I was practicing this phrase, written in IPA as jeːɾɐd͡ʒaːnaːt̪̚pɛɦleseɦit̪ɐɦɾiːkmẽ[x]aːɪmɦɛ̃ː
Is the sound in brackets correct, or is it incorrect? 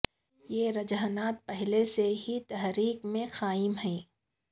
correct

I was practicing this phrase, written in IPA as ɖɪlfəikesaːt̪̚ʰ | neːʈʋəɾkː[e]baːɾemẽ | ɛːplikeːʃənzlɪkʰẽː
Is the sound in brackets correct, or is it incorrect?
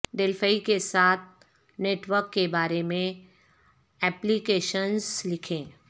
correct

